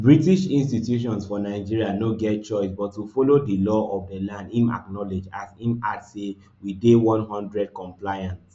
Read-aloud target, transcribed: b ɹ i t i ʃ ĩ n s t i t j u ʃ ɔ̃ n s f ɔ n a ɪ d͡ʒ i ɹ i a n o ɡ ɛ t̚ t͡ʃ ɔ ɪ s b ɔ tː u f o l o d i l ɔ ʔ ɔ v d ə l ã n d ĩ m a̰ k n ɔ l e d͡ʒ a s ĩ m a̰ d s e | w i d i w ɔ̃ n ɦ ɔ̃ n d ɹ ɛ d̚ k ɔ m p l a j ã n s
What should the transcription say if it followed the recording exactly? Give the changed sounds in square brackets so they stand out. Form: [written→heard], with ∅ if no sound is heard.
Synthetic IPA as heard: b ɹ i t i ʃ ĩ n s t i t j u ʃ ɔ̃ n s f ɔ n a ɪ d͡ʒ i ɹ i a n o ɡ ɛ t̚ t͡ʃ ɔ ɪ s b ɔ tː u f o l o d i l ɔ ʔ ɔ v d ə l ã n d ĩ m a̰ k n ɔ l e d͡ʒ a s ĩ m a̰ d s e | w i d [i→e] w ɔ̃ n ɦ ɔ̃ n d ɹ ɛ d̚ k [ɔ→ɔ̃] m p l a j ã n s